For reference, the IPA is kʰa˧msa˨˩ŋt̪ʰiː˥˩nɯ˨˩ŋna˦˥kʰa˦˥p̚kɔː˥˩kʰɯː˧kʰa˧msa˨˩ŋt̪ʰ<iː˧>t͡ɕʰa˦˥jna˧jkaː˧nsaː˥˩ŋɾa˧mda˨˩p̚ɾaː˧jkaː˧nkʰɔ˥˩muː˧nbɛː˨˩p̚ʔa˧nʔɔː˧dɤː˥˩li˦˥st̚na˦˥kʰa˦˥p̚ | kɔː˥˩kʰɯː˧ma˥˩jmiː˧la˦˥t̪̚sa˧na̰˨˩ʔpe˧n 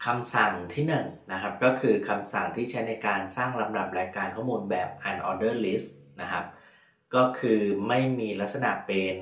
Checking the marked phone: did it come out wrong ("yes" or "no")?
yes